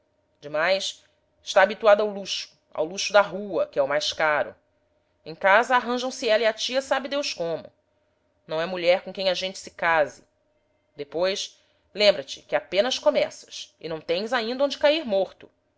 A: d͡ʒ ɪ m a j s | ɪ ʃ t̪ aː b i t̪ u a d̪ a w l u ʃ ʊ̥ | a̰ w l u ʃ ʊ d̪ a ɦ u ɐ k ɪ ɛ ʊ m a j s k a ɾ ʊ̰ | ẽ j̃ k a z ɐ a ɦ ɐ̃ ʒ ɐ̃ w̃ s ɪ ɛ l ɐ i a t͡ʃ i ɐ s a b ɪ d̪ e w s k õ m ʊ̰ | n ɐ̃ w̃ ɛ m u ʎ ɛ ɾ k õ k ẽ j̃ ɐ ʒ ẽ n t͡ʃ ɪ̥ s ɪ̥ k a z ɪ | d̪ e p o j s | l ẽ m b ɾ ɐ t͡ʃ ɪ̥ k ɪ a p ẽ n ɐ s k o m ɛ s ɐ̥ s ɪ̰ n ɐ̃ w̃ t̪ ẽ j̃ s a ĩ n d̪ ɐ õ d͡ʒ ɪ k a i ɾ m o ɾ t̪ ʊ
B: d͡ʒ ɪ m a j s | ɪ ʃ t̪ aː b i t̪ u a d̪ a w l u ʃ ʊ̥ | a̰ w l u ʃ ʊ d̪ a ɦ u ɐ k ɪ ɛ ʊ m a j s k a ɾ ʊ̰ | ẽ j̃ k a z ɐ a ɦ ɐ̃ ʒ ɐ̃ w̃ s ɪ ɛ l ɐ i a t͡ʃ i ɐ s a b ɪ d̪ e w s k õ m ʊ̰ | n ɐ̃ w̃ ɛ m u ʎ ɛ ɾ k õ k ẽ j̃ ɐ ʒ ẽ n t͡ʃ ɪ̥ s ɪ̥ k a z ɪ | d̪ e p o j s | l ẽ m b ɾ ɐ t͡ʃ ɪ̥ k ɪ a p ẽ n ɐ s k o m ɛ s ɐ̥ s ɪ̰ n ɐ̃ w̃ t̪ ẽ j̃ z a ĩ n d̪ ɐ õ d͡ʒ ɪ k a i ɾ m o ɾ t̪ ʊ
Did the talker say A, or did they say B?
B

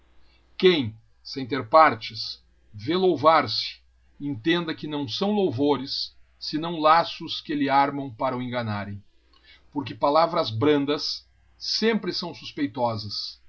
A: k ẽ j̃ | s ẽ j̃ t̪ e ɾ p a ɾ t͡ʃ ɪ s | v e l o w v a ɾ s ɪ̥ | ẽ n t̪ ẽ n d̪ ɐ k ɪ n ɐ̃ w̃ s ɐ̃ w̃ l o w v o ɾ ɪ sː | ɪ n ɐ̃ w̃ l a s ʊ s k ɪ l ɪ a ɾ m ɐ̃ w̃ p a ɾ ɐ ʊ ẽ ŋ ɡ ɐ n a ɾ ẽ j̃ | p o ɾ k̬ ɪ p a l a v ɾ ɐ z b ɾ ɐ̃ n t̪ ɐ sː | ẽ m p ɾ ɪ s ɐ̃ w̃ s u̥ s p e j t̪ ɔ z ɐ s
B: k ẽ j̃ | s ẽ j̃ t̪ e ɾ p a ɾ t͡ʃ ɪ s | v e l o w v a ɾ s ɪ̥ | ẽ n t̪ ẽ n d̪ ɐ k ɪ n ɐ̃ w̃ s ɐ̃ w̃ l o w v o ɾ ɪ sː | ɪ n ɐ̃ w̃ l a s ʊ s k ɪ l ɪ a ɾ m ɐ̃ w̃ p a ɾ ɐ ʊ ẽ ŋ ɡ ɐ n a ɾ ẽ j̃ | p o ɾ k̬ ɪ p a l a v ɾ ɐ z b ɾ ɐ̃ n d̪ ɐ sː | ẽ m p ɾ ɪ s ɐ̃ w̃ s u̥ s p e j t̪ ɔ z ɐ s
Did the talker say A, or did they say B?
B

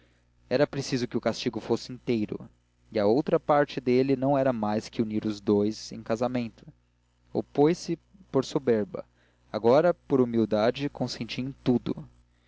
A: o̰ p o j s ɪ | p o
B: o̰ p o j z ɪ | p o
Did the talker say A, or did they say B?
A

